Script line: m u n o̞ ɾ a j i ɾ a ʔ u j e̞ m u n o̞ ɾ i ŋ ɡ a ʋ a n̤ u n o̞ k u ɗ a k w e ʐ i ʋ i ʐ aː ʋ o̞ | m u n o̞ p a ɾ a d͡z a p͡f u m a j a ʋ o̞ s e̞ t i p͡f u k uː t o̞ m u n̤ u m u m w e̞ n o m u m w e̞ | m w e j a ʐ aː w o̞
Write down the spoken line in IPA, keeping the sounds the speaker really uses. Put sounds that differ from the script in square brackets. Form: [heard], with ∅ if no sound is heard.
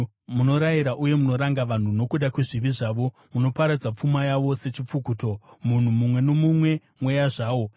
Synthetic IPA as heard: m u n o̞ ɾ a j i ɾ a ʔ u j e̞ m u n o̞ ɾ [a] ŋ ɡ a ʋ a n̤ u n o̞ k u ɗ a k w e ʐ i ʋ i ʐ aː ʋ o̞ | m u n o̞ p a ɾ a d͡z a p͡f u m a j a ʋ o̞ s e̞ [t͡ʃ] i p͡f u k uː t o̞ m u n̤ u m u m w e̞ n o m u m w e̞ | m w e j a ʐ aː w o̞

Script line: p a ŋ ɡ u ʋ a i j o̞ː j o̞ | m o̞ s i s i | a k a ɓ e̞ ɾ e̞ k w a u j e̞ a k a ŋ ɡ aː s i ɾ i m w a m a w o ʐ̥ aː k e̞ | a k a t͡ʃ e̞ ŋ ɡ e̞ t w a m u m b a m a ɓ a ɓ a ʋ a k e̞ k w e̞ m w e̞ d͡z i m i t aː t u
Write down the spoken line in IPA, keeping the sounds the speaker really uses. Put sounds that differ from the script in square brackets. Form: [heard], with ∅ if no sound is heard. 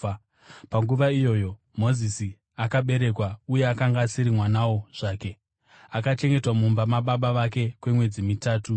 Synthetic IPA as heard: p a ŋ ɡ u ʋ a i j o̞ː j o̞ | m o̞ [z] i s i | a k a ɓ e̞ ɾ e̞ k w a u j e̞ a k a ŋ ɡ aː s i ɾ i m w a [n] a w o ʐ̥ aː k e̞ | a k a t͡ʃ e̞ ŋ ɡ e̞ t w a m u m b a m a ɓ a ɓ a ʋ a k e̞ k w e̞ m w e̞ d͡z i m i t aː t u

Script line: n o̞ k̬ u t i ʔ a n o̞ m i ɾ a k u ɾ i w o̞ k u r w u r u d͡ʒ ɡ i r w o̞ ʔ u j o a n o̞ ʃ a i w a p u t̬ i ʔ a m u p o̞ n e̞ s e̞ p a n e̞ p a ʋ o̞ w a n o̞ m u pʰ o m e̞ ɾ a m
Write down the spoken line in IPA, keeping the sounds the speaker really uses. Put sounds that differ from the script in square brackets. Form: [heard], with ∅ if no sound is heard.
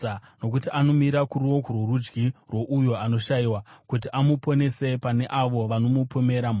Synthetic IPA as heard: n o̞ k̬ u t i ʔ a n o̞ m i ɾ a k u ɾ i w o̞ k u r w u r u d͡ʒ ɡ i r w o̞ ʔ u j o a n o̞ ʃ a i w a [k] u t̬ i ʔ a m u p o̞ n e̞ s e̞ p a n e̞ [ʔ] a ʋ o̞ [ʋ] a n o̞ m u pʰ o m e̞ ɾ a m

